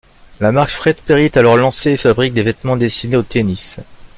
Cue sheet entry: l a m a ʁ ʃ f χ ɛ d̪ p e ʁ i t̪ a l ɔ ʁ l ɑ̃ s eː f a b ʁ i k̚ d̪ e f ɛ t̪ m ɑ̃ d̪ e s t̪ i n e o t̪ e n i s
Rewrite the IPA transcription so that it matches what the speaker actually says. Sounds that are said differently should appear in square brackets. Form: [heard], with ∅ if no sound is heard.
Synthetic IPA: l a m a ʁ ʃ f χ ɛ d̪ p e ʁ i t̪ a l ɔ ʁ l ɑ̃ s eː f a b ʁ i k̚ d̪ e [v] ɛ t̪ m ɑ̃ d̪ e s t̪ i n e o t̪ e n i s